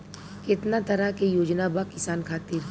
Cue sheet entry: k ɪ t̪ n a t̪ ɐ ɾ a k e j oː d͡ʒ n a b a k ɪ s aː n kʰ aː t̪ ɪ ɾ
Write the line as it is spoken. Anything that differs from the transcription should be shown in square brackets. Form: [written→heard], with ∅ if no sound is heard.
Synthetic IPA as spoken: k ɪ t̪ n a t̪ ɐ ɾ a k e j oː d͡ʒ n a b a k ɪ s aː n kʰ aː t̪ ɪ ɾ